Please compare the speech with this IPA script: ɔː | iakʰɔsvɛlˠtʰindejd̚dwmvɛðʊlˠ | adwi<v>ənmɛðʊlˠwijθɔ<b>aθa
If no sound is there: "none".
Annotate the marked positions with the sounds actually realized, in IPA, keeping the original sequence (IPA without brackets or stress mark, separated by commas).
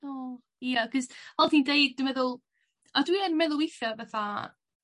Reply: none, v